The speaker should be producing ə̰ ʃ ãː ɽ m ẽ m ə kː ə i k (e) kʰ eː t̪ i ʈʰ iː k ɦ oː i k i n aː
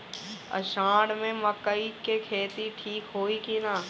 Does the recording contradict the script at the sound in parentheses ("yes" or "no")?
no